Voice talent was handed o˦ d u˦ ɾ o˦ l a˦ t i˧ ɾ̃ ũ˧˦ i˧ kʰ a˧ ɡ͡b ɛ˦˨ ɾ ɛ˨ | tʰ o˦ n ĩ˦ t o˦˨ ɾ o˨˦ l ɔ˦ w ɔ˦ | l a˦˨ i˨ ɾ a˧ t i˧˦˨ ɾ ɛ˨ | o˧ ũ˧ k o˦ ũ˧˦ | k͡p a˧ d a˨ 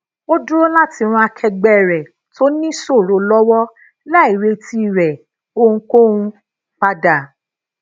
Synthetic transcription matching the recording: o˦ d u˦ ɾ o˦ l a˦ t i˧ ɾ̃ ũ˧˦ a˧ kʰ ɛ˧ ɡ͡b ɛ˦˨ ɾ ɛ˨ | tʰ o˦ n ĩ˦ s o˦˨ ɾ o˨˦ l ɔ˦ w ɔ˦ | l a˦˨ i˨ ɾ e˧ t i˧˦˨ ɾ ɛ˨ | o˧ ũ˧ k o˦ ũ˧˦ | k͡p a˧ d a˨